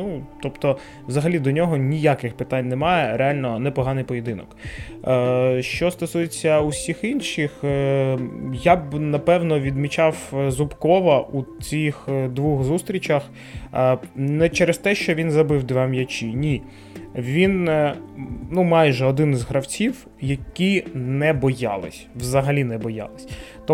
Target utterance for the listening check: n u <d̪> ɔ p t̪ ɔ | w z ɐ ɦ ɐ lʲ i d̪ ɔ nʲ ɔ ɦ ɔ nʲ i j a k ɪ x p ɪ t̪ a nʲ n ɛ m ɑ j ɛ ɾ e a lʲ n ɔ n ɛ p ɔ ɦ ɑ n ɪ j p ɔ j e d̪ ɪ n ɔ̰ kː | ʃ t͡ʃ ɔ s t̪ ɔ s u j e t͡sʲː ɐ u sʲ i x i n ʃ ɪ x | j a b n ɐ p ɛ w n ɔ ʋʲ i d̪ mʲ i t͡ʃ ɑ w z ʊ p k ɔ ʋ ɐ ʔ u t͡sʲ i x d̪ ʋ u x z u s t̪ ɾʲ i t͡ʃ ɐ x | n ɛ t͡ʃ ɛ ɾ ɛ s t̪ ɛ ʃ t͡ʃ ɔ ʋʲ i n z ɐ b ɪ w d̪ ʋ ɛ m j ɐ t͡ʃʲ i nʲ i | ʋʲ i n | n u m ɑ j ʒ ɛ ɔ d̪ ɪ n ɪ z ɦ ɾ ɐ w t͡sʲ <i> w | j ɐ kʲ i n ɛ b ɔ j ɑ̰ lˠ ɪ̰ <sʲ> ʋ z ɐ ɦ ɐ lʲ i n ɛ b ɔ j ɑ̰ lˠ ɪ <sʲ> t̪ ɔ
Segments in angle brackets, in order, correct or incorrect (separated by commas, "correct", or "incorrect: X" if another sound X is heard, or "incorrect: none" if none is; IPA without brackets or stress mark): incorrect: t̪, correct, correct, correct